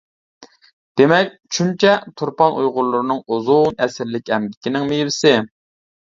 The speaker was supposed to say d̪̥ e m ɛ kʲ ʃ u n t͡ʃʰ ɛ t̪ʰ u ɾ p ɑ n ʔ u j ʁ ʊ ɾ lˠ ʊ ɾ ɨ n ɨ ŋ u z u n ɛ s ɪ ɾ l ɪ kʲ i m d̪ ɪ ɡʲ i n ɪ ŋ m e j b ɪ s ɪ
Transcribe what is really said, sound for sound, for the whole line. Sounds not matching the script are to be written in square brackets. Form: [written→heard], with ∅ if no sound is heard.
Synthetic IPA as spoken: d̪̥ e m ɛ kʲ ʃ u n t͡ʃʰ ɛ t̪ʰ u ɾ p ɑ n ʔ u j ʁ ʊ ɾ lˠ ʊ ɾ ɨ n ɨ ŋ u z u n ɛ s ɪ ɾ l ɪ kʲ [i→ɛ] m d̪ ɪ [ɡʲ→kʲ] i n ɪ ŋ m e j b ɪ s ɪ

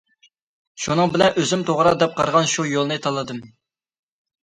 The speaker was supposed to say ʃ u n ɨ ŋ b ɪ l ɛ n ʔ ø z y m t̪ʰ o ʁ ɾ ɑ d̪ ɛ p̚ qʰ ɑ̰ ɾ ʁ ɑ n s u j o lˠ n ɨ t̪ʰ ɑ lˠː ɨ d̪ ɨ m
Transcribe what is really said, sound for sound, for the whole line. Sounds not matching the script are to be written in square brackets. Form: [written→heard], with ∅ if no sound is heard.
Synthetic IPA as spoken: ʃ u n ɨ ŋ b ɪ l ɛ n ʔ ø z y m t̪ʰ o ʁ ɾ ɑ d̪ ɛ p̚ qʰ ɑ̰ ɾ ʁ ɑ n [s→ʃ] u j o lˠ n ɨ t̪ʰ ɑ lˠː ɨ d̪ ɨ m

